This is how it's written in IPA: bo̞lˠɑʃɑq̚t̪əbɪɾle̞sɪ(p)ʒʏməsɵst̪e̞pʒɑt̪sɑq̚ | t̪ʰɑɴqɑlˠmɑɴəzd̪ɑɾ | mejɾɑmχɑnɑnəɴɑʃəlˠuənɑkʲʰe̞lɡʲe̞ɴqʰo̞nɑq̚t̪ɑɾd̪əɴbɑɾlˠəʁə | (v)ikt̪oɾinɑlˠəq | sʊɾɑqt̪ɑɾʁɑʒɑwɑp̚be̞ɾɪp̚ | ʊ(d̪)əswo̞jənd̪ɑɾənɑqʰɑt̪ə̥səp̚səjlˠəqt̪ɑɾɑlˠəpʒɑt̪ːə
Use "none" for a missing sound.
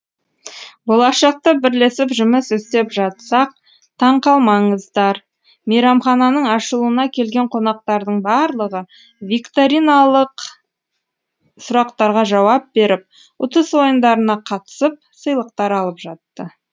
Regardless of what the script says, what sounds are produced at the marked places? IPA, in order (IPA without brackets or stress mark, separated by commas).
p, v, t̪